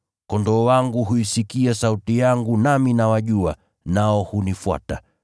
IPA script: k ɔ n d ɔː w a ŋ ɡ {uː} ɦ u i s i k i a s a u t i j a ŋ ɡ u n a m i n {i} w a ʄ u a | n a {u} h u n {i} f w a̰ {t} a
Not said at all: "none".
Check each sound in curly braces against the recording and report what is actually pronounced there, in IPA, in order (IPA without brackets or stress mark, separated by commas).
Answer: u, a, ɔ, i, t